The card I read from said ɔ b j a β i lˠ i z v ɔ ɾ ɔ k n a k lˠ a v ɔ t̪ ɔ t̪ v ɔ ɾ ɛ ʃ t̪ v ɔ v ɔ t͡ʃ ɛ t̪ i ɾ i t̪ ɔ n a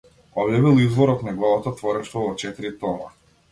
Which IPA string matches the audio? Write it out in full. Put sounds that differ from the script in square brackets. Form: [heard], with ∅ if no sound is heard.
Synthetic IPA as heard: ɔ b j a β i lˠ i z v ɔ ɾ ɔ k n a [ɡ] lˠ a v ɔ t̪ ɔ t̪ v ɔ ɾ ɛ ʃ t̪ v ɔ v ɔ t͡ʃ ɛ t̪ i ɾ i t̪ ɔ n a